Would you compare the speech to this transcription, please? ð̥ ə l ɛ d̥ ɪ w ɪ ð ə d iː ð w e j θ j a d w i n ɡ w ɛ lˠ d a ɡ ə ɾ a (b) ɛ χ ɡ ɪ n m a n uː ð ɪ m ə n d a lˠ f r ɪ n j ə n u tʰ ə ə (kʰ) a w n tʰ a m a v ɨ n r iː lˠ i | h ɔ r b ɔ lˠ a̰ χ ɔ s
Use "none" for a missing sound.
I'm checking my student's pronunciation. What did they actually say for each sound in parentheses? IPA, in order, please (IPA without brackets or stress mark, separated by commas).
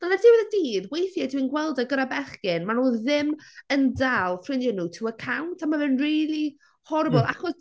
b, kʰ